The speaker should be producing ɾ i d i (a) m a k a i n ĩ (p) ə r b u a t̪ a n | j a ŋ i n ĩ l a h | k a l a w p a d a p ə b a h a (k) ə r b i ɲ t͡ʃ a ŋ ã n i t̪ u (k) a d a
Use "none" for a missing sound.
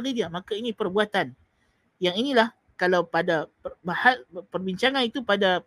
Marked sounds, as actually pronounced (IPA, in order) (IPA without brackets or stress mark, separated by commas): a, p, p, p